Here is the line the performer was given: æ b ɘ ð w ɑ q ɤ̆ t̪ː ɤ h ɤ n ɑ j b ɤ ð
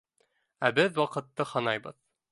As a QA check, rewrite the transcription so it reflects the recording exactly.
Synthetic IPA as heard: æ b ɘ ð w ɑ q ɤ̆ t̪ː ɤ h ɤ n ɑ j b ɤ ð